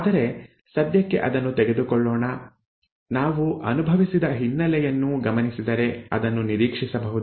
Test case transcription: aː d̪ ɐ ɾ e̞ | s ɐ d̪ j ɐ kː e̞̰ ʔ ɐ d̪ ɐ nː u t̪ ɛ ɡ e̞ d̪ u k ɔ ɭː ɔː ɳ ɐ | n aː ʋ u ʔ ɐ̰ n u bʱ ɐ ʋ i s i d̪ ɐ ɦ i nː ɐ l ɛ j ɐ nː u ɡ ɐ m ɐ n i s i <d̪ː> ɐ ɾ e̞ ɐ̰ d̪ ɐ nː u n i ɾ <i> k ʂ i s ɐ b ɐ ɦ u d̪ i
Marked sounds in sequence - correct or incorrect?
incorrect: d̪, incorrect: iː

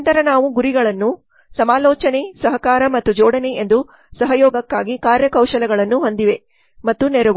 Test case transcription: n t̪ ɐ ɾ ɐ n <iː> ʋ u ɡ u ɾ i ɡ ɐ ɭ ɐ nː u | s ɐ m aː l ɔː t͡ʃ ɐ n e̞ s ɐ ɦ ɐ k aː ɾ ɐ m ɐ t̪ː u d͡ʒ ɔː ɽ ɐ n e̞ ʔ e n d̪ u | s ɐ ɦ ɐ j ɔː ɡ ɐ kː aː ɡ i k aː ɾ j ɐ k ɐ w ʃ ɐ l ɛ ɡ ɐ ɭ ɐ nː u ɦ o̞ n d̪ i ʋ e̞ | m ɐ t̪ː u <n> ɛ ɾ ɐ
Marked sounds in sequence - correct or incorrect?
incorrect: aː, correct

